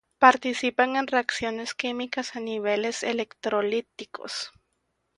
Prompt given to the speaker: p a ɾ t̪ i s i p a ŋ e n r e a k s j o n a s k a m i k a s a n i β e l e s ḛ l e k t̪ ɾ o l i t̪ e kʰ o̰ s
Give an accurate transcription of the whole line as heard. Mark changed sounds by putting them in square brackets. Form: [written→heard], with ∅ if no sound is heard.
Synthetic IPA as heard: p a ɾ t̪ i s i p a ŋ e n r e a k s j o n [a→e] s k [a→i] m i k a s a n i β e l e s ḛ l e k t̪ ɾ o l i t̪ [e→i] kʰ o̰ s

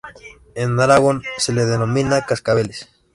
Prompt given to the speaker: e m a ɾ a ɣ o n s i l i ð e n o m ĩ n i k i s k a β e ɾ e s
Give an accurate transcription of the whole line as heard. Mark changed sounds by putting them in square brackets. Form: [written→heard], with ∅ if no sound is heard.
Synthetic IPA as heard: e [m→n] a ɾ a ɣ o n s [i→e] l [i→e] ð e n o m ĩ n [i→a] k [i→a] s k a β e [ɾ→l] e s

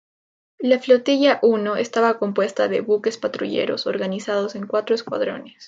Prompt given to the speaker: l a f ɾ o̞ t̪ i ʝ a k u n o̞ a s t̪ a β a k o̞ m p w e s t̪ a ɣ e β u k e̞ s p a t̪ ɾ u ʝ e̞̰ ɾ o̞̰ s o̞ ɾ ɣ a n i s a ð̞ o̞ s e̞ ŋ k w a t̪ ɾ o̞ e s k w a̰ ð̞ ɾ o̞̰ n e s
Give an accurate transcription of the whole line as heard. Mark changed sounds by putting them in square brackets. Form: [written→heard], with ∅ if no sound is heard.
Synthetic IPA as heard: l a f [ɾ→l] o̞ t̪ i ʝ a [k→ʔ] u n o̞ [a→e] s t̪ a β a k o̞ m p w e s t̪ a [ɣ→ð] e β u k e̞ s p a t̪ ɾ u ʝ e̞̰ ɾ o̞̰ s o̞ ɾ ɣ a n i s a ð̞ o̞ s e̞ ŋ k w a t̪ ɾ o̞ e s k w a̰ ð̞ ɾ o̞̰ n e s

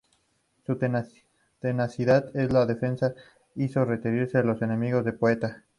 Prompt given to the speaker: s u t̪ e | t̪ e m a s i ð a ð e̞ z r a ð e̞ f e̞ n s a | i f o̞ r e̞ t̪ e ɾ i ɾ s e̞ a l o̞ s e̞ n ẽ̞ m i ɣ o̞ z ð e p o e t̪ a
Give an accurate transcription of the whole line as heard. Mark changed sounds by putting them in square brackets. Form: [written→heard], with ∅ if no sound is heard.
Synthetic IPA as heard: s u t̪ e | t̪ e [m→n] a s i ð a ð e̞ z [r→l] a ð e̞ f e̞ n s a | i [f→s] o̞ r e̞ t̪ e ɾ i ɾ s e̞ a l o̞ s e̞ n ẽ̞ m i ɣ o̞ z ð e p o e t̪ a

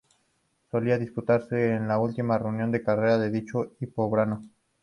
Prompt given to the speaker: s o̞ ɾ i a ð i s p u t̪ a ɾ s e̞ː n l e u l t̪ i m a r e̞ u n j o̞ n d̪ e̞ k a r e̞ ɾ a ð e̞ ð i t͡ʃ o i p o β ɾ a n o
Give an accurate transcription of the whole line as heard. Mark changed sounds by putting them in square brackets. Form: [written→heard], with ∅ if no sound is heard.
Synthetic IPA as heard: s o̞ [ɾ→l] i a ð i s p u t̪ a ɾ s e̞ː n l [e→a] u l t̪ i m a r e̞ u n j o̞ n d̪ e̞ k a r e̞ ɾ a ð e̞ ð i t͡ʃ o i p o β ɾ a n o

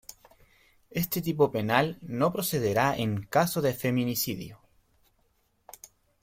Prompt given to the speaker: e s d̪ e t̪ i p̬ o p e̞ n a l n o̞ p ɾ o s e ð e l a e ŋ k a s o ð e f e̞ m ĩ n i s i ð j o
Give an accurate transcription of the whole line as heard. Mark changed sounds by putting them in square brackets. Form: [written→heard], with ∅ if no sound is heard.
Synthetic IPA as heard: e s [d̪→t̪] e t̪ i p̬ o p e̞ n a l n o̞ p ɾ o s e ð e [l→ɾ] a e ŋ k a s o ð e f e̞ m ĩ n i s i ð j o

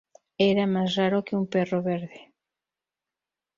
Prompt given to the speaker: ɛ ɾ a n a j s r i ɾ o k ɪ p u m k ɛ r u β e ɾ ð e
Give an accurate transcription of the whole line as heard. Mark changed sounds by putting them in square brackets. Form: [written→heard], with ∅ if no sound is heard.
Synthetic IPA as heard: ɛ ɾ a [n→m] a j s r [i→a] ɾ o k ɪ [p→∅] u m [k→p] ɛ r [u→o] β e ɾ ð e

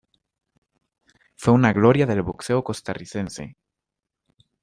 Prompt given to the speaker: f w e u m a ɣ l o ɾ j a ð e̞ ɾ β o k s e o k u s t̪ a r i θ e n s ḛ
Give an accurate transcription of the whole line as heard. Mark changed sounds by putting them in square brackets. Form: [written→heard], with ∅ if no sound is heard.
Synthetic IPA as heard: f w e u [m→n] a ɣ l o ɾ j a ð e̞ [ɾ→l] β o k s e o k [u→o] s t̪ a r i θ e n s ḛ

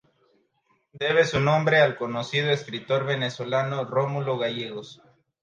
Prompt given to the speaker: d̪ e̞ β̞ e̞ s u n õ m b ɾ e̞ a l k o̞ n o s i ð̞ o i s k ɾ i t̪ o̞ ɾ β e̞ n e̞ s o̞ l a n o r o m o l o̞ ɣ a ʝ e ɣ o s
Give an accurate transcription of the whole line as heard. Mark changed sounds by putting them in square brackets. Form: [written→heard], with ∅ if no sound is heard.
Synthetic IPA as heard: d̪ e̞ β̞ e̞ s u n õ m b ɾ e̞ a l k o̞ n o s i ð̞ o [i→e] s k ɾ i t̪ o̞ ɾ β e̞ n e̞ s o̞ l a n o r o m [o→u] l o̞ ɣ a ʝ e ɣ o s

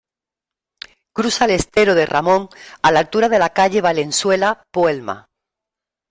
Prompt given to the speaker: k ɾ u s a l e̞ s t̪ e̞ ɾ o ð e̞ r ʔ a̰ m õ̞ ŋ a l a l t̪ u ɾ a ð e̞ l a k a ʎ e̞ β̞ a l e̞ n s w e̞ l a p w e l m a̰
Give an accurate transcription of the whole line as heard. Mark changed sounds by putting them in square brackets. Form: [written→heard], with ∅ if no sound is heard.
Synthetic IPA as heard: k ɾ u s a l e̞ s t̪ e̞ ɾ o ð e̞ r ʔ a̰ m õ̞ ŋ a l a l t̪ u ɾ a ð e̞ l a k a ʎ e̞ β̞ a l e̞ n s w e̞ l a p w e l m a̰

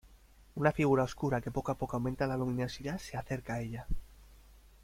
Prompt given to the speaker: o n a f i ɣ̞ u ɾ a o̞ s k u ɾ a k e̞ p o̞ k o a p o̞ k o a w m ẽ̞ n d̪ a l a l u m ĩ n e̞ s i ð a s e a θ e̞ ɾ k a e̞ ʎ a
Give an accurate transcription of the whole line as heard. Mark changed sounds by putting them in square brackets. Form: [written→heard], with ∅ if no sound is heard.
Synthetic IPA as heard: [o→u] n a f i ɣ̞ u ɾ a o̞ s k u ɾ a k e̞ p o̞ k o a p o̞ k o a w m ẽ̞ n [d̪→t̪] a l a l u m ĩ n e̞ s i ð a s e a θ e̞ ɾ k a e̞ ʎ a

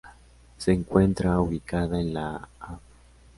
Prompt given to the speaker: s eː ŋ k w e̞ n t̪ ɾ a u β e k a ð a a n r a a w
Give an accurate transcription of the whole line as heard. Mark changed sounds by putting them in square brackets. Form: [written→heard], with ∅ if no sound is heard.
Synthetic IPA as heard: s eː ŋ k w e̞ n t̪ ɾ a u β [e→i] k a ð a [a→e] n [r→l] a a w

